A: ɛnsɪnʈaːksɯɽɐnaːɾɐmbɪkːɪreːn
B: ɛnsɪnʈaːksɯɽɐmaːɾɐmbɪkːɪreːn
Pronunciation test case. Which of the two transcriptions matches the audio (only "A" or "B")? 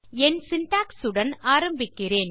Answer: A